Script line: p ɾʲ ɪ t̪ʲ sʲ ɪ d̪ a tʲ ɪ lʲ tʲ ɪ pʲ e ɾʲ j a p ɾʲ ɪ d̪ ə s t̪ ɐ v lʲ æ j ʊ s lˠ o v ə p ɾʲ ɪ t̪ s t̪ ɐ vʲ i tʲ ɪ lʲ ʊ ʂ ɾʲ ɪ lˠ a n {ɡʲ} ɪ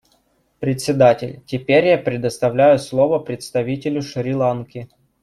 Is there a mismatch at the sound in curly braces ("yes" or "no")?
yes